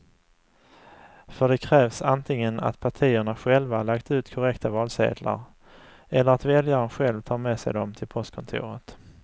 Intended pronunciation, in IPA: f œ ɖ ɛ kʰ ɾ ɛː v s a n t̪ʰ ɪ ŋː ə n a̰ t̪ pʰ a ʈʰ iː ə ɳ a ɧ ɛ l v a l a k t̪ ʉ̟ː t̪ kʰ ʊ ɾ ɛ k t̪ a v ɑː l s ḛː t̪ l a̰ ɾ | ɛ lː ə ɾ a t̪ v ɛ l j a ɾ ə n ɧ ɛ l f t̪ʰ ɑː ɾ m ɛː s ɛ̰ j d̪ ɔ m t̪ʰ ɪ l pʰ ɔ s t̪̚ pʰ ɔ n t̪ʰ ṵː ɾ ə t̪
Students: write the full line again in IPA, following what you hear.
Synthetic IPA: f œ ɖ ɛ kʰ ɾ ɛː v s a n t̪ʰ ɪ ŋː ə n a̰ t̪ pʰ a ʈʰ iː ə ɳ a ɧ ɛ l v a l a k t̪ ʉ̟ː t̪ kʰ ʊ ɾ ɛ k t̪ a v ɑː l s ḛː d̪ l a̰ ɾ | ɛ lː ə ɾ a t̪ v ɛ l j a ɾ ə n ɧ ɛ l v t̪ʰ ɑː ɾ m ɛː s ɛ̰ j d̪ ɔ m t̪ʰ ɪ l pʰ ɔ s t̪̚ kʰ ɔ n t̪ʰ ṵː ɾ ə t̪